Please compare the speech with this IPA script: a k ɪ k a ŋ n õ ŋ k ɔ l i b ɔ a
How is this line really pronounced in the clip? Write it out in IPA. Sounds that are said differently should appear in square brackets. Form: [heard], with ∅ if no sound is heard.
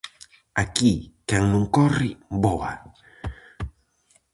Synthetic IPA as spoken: a k [i] k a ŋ n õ ŋ k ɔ [r] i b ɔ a